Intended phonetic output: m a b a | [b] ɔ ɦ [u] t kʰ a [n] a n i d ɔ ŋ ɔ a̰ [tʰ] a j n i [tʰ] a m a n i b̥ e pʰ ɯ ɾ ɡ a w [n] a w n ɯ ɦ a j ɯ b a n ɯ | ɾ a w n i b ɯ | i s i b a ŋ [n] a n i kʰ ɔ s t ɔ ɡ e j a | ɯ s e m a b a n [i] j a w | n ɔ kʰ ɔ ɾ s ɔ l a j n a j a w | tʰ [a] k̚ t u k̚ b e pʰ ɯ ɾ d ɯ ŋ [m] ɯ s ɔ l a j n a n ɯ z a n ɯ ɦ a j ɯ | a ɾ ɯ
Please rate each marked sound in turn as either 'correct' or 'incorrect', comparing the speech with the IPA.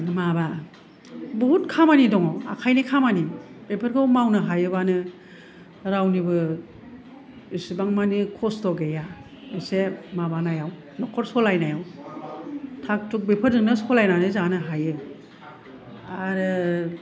correct, correct, incorrect, incorrect, incorrect, incorrect, incorrect, incorrect, correct, incorrect

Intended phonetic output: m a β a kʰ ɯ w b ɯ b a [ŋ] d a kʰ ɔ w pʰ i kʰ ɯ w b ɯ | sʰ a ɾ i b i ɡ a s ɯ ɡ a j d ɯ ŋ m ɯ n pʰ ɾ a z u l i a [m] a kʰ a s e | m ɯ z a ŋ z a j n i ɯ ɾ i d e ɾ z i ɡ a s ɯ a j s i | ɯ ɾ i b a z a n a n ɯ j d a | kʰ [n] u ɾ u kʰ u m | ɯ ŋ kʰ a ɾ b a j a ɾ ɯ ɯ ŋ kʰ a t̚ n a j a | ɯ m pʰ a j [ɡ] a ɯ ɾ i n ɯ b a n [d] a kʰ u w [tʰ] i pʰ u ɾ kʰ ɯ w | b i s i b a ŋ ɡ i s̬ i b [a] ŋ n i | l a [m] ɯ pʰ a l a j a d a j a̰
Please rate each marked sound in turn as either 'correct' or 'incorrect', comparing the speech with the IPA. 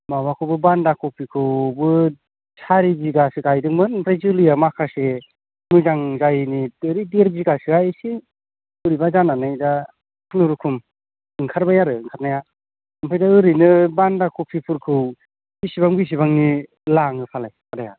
incorrect, correct, correct, incorrect, correct, incorrect, correct, incorrect

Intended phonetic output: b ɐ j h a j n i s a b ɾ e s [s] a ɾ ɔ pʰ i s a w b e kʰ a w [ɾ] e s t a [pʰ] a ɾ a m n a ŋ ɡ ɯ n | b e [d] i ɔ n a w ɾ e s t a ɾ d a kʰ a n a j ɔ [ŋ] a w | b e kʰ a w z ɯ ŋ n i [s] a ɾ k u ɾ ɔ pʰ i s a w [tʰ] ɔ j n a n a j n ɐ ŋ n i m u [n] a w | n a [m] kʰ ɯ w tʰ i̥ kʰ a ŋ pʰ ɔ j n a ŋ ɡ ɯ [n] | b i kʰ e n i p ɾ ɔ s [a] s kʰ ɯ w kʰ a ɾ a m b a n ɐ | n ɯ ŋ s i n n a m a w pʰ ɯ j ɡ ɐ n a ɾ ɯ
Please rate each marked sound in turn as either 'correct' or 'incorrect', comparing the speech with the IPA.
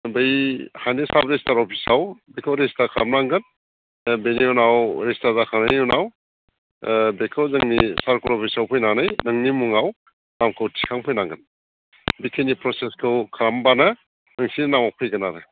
incorrect, correct, incorrect, incorrect, incorrect, correct, incorrect, incorrect, correct, correct, incorrect

